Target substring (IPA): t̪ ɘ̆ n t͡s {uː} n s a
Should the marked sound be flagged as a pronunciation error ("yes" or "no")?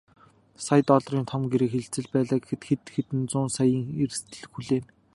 yes